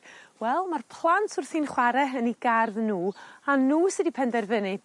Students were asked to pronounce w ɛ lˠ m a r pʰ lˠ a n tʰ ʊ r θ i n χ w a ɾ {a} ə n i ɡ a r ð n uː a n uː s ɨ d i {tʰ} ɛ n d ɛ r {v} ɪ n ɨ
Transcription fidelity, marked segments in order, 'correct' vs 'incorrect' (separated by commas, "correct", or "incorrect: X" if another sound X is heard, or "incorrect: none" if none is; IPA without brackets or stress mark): incorrect: ɛ, incorrect: pʰ, correct